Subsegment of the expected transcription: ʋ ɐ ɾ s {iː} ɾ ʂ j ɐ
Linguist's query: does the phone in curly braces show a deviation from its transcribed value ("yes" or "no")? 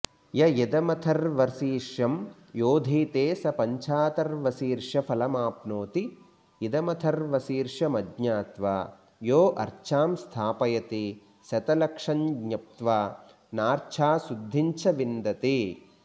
no